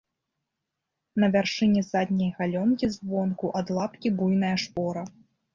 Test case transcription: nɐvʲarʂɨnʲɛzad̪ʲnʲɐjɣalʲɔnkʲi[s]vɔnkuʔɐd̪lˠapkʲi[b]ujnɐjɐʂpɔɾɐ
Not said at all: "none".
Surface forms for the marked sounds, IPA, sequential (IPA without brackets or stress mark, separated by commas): z, b